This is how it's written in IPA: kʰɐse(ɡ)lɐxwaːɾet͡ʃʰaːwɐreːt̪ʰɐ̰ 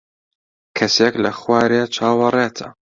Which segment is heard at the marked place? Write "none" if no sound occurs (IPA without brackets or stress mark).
k